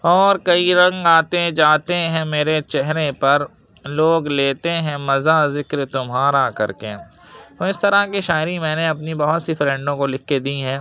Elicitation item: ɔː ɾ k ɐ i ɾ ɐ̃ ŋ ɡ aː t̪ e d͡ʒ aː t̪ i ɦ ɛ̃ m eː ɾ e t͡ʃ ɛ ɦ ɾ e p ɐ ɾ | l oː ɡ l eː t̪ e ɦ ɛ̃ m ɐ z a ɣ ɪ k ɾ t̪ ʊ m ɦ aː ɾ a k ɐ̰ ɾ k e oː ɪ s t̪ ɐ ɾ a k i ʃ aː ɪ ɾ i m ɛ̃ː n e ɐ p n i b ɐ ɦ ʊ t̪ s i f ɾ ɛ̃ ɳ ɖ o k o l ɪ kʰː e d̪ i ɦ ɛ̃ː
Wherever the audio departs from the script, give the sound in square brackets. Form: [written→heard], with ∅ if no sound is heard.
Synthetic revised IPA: ɔː ɾ k ɐ i ɾ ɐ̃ ŋ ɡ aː t̪ e d͡ʒ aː t̪ [i→e] ɦ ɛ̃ m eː ɾ e t͡ʃ ɛ ɦ ɾ e p ɐ ɾ | l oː ɡ l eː t̪ e ɦ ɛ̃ m ɐ z a [ɣ→z] ɪ k ɾ t̪ ʊ m ɦ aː ɾ a k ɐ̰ ɾ k e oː ɪ s t̪ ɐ ɾ a k i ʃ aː ɪ ɾ i m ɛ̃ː n e ɐ p n i b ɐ ɦ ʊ t̪ s i f ɾ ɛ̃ ɳ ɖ [o→õ] k o l ɪ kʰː e d̪ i ɦ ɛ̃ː